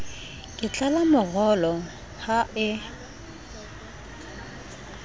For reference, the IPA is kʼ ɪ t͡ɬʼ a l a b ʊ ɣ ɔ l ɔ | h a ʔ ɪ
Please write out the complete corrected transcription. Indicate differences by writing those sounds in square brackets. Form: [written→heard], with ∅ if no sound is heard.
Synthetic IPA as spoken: kʼ ɪ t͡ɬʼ a l a [b→m] ʊ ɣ ɔ l ɔ | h a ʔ ɪ